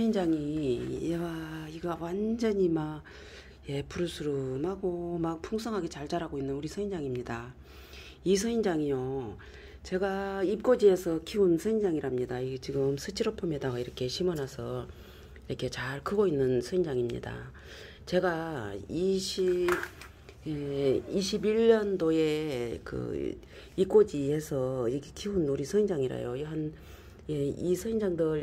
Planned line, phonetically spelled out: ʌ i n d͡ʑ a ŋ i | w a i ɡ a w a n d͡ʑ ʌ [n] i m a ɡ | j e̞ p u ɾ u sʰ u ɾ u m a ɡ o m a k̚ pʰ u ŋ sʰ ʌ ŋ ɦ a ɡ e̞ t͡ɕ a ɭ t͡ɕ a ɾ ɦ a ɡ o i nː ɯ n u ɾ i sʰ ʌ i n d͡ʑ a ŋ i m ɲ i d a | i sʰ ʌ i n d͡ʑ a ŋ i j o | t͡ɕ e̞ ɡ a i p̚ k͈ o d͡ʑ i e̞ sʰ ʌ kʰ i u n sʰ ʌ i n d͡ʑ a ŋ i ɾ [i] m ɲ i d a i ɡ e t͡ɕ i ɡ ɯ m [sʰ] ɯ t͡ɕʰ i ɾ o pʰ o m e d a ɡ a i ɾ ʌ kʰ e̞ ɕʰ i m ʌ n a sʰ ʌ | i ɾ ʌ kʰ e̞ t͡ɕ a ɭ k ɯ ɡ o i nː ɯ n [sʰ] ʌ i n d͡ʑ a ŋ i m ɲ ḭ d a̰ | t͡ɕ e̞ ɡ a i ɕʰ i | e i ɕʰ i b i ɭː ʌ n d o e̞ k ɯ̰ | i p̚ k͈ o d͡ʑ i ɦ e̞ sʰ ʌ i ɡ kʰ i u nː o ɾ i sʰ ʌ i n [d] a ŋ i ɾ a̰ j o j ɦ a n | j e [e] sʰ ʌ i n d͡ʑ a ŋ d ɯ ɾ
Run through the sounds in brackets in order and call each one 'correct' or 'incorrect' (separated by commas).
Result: incorrect, incorrect, correct, correct, incorrect, incorrect